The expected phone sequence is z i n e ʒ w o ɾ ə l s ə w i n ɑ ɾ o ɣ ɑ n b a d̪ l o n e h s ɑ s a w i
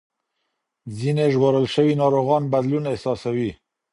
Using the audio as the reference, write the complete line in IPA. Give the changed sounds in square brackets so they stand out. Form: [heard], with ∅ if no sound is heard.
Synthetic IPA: z i n e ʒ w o ɾ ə l [ʃ] ə w i n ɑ ɾ o ɣ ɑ n b a d̪ l [u] n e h s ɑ s a w i